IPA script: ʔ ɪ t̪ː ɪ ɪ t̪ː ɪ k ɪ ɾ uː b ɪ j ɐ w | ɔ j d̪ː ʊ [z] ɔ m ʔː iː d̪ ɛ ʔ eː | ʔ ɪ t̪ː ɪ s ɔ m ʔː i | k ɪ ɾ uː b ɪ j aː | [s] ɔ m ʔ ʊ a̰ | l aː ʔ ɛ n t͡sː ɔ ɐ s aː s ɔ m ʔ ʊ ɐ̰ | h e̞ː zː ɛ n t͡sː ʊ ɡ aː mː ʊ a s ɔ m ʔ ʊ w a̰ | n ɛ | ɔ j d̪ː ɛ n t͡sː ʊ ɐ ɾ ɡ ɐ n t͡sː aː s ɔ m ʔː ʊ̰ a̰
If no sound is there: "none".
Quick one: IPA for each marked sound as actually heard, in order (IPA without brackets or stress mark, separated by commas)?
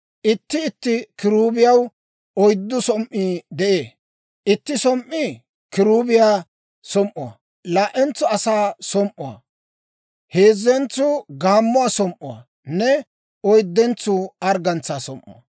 s, s